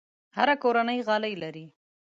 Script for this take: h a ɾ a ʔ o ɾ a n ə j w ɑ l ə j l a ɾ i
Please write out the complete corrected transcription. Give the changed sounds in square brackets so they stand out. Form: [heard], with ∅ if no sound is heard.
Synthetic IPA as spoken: h a ɾ a [k] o ɾ a n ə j [ɣ] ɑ l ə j l a ɾ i